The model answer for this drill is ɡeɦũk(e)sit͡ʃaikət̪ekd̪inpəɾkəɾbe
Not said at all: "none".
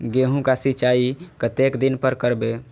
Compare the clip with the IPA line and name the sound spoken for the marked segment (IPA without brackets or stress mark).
a